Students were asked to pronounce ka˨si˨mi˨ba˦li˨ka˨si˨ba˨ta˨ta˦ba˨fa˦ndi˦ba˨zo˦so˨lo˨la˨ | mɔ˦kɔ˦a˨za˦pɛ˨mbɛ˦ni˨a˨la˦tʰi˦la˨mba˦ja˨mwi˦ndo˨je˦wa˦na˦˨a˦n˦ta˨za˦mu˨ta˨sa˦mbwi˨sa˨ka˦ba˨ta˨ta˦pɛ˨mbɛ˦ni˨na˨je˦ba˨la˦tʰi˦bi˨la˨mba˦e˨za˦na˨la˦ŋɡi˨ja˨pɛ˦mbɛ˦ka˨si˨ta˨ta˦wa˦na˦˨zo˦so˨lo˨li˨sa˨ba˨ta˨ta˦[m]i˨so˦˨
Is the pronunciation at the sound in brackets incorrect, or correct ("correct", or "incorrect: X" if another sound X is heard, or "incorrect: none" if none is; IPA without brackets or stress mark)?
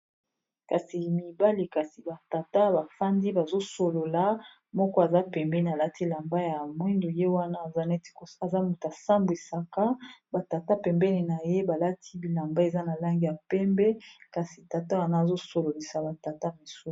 correct